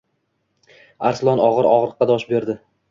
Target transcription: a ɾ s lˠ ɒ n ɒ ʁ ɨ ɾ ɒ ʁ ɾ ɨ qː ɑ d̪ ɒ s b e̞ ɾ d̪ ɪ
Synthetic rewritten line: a ɾ s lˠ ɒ n ɒ ʁ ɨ ɾ ɒ ʁ ɾ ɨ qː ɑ d̪ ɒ ʃ b e̞ ɾ d̪ ɪ